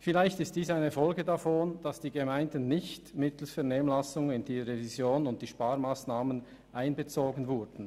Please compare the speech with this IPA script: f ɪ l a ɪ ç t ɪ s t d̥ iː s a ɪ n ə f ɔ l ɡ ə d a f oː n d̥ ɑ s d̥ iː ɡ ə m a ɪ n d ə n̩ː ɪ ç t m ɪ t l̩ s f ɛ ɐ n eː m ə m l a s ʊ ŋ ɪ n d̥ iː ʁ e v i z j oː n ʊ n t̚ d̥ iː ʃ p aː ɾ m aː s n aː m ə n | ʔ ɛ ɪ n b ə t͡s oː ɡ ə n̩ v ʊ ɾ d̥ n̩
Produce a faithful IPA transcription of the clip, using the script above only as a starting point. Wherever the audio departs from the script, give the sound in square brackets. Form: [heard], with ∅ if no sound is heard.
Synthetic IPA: f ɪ l a ɪ ç t ɪ s t d̥ iː s a ɪ n ə f ɔ l ɡ ə d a f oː n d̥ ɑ s d̥ iː ɡ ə m a ɪ n d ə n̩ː ɪ ç t m ɪ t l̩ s f ɛ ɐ n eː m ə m l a s ʊ ŋ ɪ n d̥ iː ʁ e v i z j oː n ʊ n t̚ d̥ iː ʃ p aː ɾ m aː s n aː m ə n | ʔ [a] ɪ n b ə t͡s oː ɡ ə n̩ v ʊ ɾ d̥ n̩